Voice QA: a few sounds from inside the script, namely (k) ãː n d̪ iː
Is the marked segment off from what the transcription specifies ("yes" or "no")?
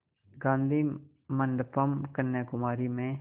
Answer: yes